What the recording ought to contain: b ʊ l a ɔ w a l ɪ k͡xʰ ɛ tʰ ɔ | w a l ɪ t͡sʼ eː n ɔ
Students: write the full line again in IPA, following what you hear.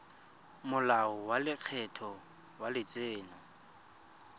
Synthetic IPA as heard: m ʊ l a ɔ w a l ɪ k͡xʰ ɛ tʰ ɔ | w a l ɪ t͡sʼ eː n ɔ

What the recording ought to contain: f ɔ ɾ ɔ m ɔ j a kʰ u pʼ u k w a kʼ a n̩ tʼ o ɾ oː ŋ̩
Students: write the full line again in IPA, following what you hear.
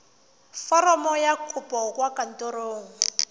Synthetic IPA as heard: f ɔ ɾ ɔ m ɔ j a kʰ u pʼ ɔ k w a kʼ a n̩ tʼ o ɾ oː ŋ̩

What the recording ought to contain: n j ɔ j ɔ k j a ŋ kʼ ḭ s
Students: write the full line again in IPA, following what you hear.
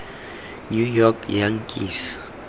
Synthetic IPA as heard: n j u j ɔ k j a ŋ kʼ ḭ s

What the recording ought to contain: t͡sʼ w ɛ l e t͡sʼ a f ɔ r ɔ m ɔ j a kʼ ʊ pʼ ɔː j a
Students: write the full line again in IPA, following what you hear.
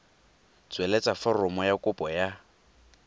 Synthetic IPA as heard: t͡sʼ w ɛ l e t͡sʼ a f ɔ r ɔ m ɔ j a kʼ ʊ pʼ ɔ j a

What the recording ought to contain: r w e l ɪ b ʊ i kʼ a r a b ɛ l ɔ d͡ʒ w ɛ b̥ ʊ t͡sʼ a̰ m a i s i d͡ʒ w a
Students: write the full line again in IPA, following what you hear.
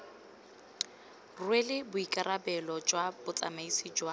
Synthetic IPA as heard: r w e l ɪ b ʊ i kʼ a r a b ɛ l ɔ d͡ʒ w a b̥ ʊ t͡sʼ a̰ m a i s i d͡ʒ w a

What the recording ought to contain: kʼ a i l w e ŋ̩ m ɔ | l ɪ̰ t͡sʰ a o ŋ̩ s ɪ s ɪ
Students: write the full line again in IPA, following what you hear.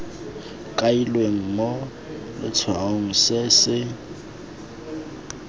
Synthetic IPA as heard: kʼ a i l w e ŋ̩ m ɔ | l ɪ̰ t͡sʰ a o ŋ̩ s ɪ s ɪ

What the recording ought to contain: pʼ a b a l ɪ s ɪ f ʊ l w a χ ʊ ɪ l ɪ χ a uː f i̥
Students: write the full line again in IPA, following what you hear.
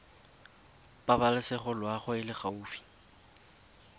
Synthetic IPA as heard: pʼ a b a l ɪ s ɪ χ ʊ l w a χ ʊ ɪ l ɪ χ a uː f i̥

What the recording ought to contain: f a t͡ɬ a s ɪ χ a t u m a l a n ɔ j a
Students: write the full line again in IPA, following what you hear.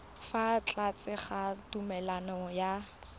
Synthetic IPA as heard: f a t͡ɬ a t͡s ɪ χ a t u m ɛ l a n ɔ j a

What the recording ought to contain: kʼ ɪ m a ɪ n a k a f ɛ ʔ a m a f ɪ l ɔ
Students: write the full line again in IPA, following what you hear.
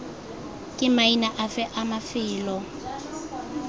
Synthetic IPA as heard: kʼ ɪ m a i n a ʔ a f ɛ ʔ a m a f ɪː l ɔ

